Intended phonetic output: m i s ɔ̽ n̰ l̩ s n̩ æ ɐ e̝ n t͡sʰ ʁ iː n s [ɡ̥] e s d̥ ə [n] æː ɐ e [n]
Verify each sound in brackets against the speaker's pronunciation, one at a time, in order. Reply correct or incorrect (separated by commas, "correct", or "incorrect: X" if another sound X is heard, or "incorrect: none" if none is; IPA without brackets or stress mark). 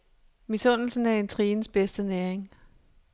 incorrect: b̥, correct, incorrect: ŋ